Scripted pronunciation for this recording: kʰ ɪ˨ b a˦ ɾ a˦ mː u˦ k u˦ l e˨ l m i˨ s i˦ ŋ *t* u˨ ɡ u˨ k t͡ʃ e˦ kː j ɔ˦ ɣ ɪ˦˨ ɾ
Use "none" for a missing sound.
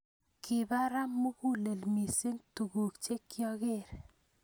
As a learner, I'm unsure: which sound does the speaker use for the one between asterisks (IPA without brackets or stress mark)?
t